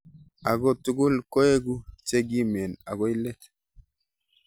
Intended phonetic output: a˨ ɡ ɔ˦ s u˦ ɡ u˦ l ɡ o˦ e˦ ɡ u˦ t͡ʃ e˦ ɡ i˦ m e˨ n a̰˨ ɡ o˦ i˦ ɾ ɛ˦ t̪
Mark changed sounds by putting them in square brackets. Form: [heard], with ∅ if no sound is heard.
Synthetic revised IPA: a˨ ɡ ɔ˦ [t] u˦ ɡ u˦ l [k] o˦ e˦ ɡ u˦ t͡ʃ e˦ ɡ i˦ m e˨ n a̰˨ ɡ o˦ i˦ [l] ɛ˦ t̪